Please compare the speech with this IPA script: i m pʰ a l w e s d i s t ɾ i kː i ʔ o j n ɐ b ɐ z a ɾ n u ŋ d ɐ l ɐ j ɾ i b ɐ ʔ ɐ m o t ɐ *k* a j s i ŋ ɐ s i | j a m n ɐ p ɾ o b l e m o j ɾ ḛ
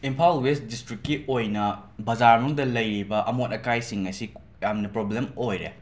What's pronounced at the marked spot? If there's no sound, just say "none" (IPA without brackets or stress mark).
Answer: k